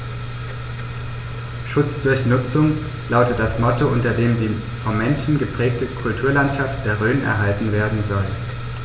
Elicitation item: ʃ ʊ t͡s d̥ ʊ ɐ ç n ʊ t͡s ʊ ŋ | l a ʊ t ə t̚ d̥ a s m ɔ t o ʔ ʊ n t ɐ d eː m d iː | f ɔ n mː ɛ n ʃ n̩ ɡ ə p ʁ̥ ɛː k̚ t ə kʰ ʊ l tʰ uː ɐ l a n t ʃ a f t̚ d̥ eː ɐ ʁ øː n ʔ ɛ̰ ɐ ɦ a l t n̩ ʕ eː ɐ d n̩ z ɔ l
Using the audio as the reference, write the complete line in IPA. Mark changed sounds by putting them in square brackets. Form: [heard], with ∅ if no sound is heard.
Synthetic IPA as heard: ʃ ʊ t͡s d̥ ʊ ɐ ç n ʊ t͡s ʊ ŋ | l a ʊ t ə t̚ d̥ a s m ɔ t o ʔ ʊ n t ɐ d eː m d iː | f ɔ n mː ɛ n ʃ n̩ ɡ ə p ʁ̥ ɛː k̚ t ə kʰ ʊ l tʰ uː ɐ l a n t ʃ a f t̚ d̥ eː ɐ ʁ øː n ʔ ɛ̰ ɐ ɦ a l t n̩ [v] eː ɐ d n̩ z ɔ l

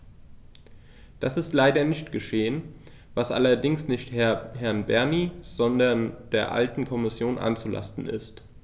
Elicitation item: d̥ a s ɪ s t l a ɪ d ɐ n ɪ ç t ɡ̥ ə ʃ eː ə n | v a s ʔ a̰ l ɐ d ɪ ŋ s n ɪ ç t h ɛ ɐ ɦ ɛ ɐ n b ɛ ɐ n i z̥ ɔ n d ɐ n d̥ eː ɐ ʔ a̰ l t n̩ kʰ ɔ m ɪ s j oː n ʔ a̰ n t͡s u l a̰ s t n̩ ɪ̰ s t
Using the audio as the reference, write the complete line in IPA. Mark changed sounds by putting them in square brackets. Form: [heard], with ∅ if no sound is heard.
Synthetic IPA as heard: d̥ a s ɪ s t l a ɪ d ɐ n ɪ ç t ɡ̥ ə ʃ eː ə n | v a s ʔ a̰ l ɐ d ɪ ŋ s n ɪ ç t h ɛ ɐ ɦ ɛ ɐ n b ɛ ɐ n i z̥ ɔ n d ɐ n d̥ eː ɐ ʔ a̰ l t n̩ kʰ ɔ m ɪ s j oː n ʔ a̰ n t͡s u l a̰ s t n̩ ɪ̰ s t

